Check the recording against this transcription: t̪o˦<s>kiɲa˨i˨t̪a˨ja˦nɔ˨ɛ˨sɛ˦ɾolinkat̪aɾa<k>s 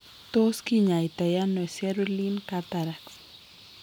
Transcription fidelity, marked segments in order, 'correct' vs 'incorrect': correct, correct

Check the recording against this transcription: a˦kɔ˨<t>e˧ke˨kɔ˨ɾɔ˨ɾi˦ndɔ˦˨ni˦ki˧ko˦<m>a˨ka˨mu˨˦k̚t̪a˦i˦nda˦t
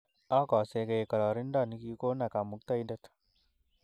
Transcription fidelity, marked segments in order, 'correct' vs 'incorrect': incorrect: s, incorrect: n

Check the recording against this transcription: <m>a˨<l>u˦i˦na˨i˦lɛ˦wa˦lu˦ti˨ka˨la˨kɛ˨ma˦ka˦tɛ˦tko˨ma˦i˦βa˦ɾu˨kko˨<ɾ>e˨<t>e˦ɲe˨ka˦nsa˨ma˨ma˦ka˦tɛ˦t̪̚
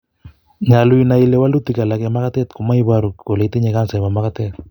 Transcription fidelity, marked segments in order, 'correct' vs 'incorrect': incorrect: ɲ, correct, incorrect: l, correct

